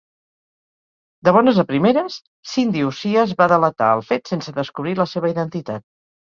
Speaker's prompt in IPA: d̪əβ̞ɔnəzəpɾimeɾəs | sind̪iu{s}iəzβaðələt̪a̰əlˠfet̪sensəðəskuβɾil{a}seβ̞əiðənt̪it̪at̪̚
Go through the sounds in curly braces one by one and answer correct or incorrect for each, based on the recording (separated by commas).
correct, incorrect